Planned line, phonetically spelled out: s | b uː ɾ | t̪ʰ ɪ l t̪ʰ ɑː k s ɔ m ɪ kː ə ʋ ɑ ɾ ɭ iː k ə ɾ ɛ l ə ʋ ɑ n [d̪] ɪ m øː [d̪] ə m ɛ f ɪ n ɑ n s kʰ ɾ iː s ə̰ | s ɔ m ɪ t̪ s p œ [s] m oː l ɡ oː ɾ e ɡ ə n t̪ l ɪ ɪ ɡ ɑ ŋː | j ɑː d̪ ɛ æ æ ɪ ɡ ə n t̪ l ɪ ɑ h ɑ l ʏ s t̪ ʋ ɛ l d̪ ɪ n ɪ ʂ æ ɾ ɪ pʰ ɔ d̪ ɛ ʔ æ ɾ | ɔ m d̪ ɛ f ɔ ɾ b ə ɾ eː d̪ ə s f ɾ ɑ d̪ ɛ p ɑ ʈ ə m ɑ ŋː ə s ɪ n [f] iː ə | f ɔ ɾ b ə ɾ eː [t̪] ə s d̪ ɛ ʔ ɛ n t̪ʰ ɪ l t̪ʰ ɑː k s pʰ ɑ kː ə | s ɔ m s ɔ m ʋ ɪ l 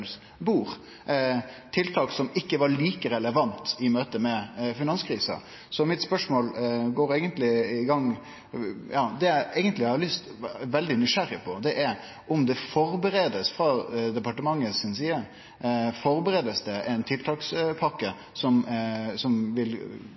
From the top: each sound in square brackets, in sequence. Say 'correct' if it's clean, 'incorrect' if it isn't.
incorrect, incorrect, incorrect, incorrect, incorrect

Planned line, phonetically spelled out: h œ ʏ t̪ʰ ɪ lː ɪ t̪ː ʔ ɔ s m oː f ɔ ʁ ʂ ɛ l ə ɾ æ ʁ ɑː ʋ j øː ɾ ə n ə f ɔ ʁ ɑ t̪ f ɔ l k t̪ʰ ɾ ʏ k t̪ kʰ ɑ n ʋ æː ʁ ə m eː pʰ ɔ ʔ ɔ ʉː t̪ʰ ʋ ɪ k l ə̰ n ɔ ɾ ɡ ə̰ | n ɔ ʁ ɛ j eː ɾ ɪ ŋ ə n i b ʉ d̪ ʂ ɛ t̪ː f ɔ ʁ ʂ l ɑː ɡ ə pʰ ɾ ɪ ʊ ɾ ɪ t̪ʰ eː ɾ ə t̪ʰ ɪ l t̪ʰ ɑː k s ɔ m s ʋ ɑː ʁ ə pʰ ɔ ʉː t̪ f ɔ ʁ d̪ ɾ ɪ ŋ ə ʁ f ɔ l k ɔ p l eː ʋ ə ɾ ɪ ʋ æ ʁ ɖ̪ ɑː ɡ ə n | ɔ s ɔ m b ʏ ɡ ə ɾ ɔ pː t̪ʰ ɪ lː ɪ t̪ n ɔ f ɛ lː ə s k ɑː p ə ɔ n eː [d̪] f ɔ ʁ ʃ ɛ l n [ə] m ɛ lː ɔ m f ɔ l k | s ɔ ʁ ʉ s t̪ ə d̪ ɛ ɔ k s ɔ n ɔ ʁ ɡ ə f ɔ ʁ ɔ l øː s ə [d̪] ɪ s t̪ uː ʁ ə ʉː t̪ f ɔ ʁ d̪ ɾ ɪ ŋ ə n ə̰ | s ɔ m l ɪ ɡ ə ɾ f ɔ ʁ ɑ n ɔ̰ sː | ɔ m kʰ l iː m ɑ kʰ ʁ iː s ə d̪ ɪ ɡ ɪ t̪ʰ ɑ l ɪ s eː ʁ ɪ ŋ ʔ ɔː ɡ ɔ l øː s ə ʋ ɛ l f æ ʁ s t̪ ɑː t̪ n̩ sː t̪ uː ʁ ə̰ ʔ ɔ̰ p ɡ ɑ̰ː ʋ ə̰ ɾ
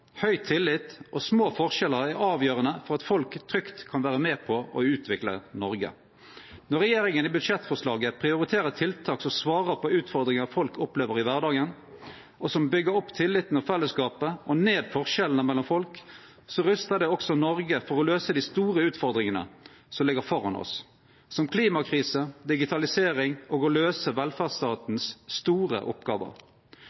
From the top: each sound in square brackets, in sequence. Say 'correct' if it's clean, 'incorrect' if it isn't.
correct, correct, correct

